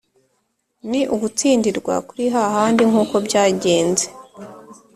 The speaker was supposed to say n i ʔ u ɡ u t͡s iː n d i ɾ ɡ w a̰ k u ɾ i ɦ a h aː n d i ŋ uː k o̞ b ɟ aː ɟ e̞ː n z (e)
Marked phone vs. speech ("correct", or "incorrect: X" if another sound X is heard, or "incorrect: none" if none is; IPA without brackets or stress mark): correct